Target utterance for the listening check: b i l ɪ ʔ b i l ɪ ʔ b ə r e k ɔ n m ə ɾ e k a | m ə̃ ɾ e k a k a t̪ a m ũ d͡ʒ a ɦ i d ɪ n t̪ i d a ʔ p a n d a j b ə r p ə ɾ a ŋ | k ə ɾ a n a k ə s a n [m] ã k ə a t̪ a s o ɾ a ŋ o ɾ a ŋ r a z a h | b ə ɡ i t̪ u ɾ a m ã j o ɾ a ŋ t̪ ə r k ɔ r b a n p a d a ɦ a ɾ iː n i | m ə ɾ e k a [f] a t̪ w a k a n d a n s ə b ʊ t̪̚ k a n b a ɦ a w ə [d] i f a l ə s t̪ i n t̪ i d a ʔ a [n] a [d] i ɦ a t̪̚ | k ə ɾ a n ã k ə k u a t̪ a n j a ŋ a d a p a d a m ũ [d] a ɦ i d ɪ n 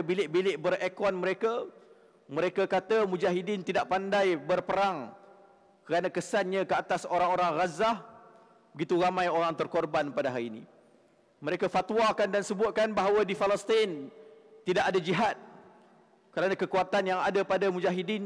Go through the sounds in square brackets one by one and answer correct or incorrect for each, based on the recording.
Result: incorrect: ɲ, correct, correct, incorrect: d, incorrect: d͡ʒ, incorrect: d͡ʒ

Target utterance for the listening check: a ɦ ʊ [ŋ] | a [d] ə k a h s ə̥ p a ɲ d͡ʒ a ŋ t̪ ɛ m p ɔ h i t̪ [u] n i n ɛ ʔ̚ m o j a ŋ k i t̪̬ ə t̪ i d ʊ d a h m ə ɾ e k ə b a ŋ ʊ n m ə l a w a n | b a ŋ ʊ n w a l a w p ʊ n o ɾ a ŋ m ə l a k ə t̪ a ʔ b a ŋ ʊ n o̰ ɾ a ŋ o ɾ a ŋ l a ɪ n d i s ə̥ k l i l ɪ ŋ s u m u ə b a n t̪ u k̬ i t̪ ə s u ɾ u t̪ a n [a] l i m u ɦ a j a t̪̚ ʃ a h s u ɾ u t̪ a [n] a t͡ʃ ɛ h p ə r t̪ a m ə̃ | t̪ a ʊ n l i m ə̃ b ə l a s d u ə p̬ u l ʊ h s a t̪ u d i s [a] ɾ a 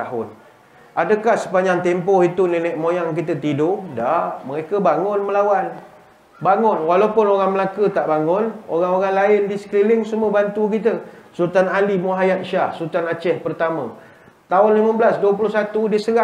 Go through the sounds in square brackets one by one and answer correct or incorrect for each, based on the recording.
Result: incorrect: n, correct, correct, correct, correct, incorrect: ə

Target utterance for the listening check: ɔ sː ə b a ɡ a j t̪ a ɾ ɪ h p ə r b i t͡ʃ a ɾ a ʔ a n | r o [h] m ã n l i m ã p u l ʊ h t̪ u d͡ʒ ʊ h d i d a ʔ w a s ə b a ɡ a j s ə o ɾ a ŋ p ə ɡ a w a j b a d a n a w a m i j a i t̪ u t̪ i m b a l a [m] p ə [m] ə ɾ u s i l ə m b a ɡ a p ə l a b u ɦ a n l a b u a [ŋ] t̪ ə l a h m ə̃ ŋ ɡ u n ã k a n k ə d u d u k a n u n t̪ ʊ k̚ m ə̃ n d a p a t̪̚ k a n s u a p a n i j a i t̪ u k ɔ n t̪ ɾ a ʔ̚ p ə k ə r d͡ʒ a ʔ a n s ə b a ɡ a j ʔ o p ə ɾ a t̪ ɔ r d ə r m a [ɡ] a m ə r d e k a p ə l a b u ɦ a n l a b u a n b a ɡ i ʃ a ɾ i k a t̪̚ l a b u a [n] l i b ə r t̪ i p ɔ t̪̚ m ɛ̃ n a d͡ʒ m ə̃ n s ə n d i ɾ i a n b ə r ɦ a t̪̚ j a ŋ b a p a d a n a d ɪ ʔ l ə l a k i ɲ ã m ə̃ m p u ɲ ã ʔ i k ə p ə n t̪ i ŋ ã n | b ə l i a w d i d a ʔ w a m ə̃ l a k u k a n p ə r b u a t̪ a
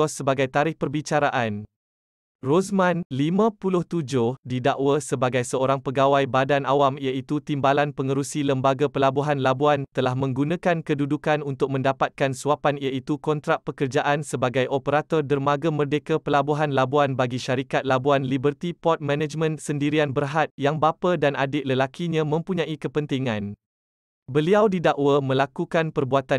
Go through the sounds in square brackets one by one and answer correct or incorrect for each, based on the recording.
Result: incorrect: s, incorrect: n, incorrect: ŋ, incorrect: n, correct, correct

